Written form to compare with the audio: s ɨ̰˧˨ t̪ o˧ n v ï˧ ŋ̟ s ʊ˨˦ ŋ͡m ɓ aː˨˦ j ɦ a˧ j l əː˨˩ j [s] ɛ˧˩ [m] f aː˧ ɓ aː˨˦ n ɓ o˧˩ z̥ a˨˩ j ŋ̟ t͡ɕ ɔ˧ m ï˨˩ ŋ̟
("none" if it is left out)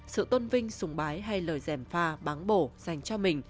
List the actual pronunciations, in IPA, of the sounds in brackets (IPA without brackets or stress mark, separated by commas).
z, m